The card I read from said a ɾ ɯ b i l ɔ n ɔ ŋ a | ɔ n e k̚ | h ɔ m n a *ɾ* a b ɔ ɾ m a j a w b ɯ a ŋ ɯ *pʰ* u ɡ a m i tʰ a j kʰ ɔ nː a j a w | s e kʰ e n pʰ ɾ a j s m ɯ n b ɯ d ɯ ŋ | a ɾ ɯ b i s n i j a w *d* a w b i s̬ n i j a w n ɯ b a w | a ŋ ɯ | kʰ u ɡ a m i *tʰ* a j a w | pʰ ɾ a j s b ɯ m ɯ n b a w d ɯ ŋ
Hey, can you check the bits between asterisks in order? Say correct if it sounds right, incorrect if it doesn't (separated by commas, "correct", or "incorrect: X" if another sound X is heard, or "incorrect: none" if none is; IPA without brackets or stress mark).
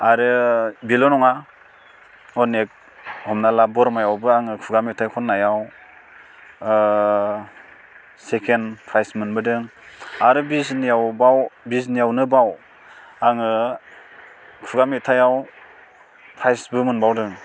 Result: incorrect: l, incorrect: kʰ, incorrect: b, correct